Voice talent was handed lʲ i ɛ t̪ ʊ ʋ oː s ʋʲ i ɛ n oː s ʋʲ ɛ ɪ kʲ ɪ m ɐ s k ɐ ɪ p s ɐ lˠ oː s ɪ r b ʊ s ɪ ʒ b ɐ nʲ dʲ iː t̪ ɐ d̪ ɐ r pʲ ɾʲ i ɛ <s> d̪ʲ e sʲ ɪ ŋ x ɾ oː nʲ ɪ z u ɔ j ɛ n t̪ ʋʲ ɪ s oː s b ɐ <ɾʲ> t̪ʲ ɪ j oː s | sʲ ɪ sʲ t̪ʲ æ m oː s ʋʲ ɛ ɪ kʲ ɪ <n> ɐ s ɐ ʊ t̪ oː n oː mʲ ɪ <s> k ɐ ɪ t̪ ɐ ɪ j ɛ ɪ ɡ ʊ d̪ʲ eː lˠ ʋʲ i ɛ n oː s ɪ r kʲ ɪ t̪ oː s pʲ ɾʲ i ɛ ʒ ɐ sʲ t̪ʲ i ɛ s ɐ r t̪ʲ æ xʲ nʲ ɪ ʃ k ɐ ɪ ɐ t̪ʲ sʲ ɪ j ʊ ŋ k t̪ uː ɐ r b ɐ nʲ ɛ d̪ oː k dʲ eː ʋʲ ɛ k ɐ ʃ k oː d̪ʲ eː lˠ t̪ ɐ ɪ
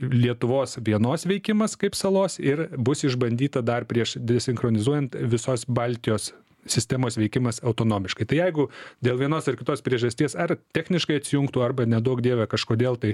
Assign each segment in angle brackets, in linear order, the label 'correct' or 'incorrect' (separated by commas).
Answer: incorrect, incorrect, incorrect, incorrect